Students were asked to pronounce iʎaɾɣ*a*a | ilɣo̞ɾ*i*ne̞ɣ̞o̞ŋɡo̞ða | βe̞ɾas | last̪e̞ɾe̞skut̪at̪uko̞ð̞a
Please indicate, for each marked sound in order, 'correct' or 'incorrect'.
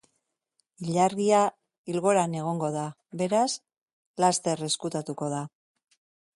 incorrect, incorrect

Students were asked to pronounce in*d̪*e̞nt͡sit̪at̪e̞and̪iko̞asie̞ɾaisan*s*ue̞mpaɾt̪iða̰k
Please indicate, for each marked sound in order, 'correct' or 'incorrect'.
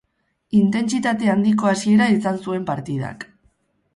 incorrect, correct

